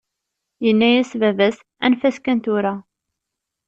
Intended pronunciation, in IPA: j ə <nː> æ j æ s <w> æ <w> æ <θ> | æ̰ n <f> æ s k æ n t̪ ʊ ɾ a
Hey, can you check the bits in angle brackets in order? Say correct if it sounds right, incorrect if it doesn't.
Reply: correct, incorrect, incorrect, incorrect, correct

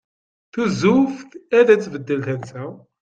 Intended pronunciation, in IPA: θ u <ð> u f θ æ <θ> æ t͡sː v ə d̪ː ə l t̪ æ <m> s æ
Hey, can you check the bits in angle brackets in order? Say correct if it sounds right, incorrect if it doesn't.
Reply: incorrect, incorrect, incorrect

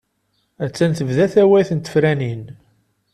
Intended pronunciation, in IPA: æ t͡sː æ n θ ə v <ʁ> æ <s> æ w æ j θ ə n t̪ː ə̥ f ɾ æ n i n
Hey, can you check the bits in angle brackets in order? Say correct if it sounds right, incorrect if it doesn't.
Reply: incorrect, incorrect

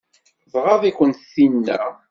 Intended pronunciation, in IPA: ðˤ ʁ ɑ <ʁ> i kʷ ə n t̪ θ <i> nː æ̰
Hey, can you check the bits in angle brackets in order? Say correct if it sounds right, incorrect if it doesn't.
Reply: incorrect, correct

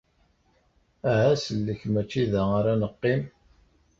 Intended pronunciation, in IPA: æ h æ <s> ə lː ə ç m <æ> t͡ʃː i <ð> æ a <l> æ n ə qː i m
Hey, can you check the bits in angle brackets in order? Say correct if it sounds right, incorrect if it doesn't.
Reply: correct, correct, correct, incorrect

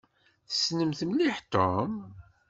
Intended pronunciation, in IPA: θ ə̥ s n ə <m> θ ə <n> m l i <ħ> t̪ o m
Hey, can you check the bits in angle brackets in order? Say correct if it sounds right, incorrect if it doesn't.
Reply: correct, incorrect, correct

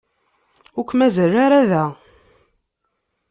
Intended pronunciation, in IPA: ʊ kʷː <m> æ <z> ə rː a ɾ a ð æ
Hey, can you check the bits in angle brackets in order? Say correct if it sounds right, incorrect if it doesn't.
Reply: correct, correct

